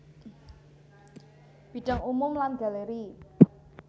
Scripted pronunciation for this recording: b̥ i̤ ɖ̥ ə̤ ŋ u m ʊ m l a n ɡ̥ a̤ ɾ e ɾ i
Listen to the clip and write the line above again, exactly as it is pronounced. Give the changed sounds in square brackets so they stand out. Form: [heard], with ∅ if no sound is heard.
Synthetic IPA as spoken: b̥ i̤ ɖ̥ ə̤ ŋ u m ʊ m l a n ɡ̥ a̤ [l] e ɾ i